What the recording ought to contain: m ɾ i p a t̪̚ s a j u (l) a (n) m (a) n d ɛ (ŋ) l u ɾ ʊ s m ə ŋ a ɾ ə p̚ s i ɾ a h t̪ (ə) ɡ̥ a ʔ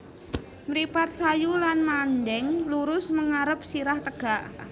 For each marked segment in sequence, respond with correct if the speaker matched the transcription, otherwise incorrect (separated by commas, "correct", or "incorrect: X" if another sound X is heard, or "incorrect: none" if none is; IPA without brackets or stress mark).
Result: correct, correct, correct, correct, correct